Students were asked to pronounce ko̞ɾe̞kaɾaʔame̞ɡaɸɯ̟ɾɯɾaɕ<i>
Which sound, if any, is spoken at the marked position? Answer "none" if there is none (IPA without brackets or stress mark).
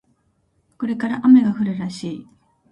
iː